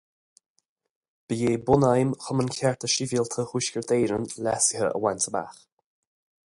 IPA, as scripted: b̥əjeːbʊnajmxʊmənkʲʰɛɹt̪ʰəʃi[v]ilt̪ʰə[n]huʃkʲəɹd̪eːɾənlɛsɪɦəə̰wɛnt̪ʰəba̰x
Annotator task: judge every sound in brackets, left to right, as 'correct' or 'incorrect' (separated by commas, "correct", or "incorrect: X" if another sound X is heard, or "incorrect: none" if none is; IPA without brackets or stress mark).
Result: correct, incorrect: none